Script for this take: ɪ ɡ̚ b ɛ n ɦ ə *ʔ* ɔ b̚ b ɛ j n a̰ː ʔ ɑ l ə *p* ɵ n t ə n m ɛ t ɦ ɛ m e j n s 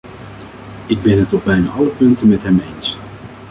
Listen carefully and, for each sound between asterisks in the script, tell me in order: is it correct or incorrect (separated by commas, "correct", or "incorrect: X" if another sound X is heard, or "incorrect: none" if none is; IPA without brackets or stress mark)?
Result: incorrect: t, correct